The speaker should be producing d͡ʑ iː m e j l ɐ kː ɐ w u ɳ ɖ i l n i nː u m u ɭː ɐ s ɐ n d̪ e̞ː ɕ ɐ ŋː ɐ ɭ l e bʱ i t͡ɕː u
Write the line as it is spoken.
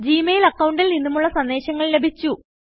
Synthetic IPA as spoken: d͡ʑ iː m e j l ɐ kː ɐ w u ɳ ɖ i l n i nː u m u ɭː ɐ s ɐ n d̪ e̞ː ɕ ɐ ŋː ɐ ɭ l e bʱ i t͡ɕː u

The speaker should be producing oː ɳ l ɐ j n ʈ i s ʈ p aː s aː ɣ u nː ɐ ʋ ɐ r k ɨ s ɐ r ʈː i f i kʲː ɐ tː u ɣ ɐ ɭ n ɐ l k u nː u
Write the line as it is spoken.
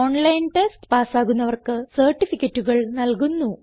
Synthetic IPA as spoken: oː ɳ l ɐ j n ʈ e s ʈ p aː s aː ɣ u nː ɐ ʋ ɐ r k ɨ s ɐ r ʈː i f i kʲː ɐ tː u ɣ ɐ ɭ n ɐ l k u nː u

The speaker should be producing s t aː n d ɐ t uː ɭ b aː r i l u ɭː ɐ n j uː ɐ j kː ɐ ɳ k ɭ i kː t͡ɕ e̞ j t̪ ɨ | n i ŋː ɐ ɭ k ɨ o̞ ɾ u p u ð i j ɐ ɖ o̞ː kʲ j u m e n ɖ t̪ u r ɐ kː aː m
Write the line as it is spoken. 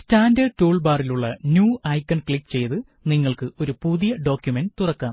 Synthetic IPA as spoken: s t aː n d ɐ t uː ɭ b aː r i l u ɭː ɐ n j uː ɐ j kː ɐ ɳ k ɭ i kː t͡ɕ e̞ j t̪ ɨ | n i ŋː ɐ ɭ k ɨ o̞ ɾ u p u ð i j ɐ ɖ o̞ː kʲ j u m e n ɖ t̪ u r ɐ kː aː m

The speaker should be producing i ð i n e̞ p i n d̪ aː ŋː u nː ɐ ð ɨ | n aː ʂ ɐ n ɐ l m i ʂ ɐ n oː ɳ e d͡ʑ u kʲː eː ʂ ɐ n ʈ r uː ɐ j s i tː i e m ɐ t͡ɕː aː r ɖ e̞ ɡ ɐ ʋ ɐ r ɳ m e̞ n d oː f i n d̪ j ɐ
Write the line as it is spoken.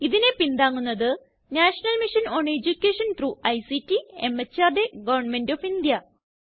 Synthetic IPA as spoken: i ð i n e̞ p i n d̪ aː ŋː u nː ɐ ð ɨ | n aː ʂ ɐ n ɐ l m i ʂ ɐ n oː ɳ e d͡ʑ u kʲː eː ʂ ɐ n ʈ r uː ɐ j s i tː i e m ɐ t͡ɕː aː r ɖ e̞ ɡ ɐ ʋ ɐ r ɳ m e̞ n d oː f i n d̪ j ɐ

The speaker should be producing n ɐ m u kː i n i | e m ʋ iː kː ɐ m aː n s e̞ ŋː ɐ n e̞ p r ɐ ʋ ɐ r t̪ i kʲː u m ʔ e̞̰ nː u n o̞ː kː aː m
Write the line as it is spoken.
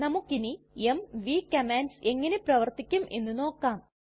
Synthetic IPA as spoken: n ɐ m u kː i n i | e m ʋ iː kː ɐ m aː n s e̞ ŋː ɐ n e̞ p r ɐ ʋ ɐ r t̪ i kʲː u m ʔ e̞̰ nː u n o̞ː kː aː m

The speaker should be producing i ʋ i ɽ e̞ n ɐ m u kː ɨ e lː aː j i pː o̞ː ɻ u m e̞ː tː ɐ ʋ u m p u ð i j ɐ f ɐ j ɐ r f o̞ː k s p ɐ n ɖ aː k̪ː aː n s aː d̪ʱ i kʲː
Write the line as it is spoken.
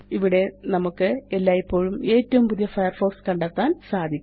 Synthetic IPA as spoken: i ʋ i ɽ e̞ n ɐ m u kː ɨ e lː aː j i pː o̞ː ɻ u m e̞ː tː ɐ ʋ u m p u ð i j ɐ f ɐ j ɐ r f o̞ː k s k ɐ ɳ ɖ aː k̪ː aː n s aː d̪ʱ i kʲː

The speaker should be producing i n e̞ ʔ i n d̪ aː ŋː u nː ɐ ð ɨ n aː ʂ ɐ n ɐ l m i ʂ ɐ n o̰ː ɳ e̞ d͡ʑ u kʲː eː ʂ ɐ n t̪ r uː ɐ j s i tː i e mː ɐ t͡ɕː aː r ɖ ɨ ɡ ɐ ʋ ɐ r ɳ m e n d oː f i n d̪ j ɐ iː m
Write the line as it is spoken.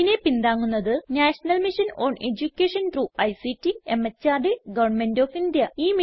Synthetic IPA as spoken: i n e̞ p i n d̪ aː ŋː u nː ɐ ð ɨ n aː ʂ ɐ n ɐ l m i ʂ ɐ n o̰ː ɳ e̞ d͡ʑ u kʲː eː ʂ ɐ n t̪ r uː ɐ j s i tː i e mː ɐ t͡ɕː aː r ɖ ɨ ɡ ɐ ʋ ɐ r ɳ m e n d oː f i n d̪ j ɐ iː m

